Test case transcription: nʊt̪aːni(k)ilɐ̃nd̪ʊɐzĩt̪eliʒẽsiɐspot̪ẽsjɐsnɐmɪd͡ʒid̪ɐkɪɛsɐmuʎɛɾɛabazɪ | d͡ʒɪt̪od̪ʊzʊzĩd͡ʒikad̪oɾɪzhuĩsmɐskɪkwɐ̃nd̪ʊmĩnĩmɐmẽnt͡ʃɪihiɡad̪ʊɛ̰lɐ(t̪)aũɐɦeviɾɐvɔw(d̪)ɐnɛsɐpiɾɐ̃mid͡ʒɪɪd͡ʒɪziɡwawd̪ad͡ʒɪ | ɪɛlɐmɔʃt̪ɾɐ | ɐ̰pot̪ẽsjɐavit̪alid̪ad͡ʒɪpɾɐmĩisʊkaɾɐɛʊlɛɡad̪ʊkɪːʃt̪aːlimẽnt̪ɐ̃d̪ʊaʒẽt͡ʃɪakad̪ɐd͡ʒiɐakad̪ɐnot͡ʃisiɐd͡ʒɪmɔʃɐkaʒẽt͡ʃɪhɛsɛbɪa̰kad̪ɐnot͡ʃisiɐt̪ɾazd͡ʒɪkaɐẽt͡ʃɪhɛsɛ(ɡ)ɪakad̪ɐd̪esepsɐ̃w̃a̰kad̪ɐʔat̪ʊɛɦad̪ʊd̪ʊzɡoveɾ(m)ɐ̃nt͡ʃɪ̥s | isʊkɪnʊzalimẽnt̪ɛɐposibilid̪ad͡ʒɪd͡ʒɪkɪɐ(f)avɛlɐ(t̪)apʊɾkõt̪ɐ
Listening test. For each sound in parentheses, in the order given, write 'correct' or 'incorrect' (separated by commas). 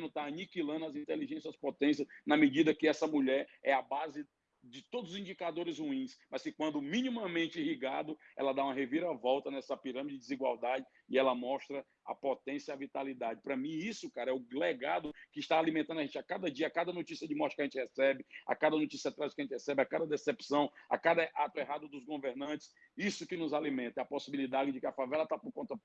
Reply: correct, incorrect, incorrect, incorrect, incorrect, correct, correct